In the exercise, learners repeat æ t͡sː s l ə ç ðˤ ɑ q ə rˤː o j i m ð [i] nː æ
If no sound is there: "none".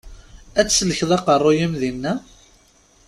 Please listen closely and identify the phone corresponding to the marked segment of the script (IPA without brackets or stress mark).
i